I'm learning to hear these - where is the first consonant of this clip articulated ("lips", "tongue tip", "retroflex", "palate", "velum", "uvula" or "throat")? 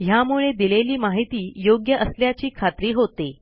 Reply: throat